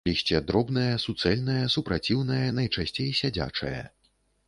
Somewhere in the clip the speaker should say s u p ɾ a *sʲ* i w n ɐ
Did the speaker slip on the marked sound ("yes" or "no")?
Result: yes